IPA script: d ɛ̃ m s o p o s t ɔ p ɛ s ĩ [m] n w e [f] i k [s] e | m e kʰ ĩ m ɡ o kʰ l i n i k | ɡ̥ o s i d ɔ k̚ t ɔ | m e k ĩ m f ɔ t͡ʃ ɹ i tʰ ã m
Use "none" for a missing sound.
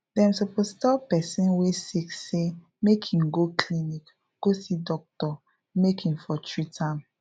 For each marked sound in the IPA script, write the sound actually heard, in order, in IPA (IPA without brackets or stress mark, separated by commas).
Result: none, s, s